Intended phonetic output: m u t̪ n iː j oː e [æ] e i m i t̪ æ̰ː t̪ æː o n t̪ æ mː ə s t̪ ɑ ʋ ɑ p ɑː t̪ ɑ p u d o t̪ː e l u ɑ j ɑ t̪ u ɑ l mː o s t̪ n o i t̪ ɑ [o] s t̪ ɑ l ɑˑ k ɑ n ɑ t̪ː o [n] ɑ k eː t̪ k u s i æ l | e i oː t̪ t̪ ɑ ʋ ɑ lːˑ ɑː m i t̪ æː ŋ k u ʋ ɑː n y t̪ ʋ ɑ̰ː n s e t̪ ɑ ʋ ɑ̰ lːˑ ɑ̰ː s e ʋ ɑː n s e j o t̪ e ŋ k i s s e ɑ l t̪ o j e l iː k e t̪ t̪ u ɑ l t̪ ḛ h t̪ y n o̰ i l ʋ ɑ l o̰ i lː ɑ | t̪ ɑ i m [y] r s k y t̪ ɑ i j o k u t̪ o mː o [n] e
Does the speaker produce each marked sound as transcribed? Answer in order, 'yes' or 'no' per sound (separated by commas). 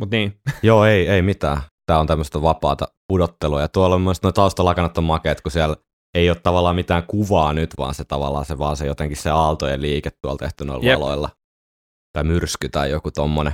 no, no, no, yes, yes